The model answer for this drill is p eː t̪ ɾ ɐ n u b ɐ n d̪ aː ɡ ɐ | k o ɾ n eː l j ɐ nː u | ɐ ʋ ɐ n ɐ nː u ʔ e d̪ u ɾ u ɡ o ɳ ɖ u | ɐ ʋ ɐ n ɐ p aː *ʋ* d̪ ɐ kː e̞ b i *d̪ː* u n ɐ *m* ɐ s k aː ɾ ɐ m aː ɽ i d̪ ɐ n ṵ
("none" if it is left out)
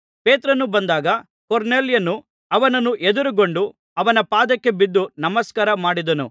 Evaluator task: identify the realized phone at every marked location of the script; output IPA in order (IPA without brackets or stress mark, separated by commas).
none, d̪ː, m